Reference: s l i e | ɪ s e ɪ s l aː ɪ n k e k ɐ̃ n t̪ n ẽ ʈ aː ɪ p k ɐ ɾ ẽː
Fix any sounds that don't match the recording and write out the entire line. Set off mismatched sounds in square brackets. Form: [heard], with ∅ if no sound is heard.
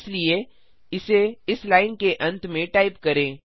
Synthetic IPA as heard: s l i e | ɪ s e ɪ s l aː ɪ n k e [ʔ] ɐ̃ n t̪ [m] ẽ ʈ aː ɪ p k ɐ ɾ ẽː